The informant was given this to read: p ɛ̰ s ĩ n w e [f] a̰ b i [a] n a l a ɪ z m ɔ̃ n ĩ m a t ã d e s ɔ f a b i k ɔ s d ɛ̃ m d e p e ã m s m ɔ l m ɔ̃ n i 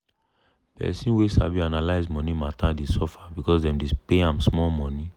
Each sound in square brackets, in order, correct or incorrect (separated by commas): incorrect, correct